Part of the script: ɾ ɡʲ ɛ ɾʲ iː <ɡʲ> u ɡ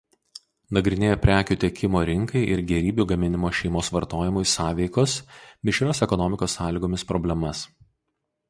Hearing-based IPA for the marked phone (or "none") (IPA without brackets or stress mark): bʲ